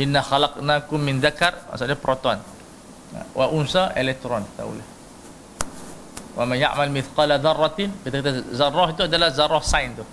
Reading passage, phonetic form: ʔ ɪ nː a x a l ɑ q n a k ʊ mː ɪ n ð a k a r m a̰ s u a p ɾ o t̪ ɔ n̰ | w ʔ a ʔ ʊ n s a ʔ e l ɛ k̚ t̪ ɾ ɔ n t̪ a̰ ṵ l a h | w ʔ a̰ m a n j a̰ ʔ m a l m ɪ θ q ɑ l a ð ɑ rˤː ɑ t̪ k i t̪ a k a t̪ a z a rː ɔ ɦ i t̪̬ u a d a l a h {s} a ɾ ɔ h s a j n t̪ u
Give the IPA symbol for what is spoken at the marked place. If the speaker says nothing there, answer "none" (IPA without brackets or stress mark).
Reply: z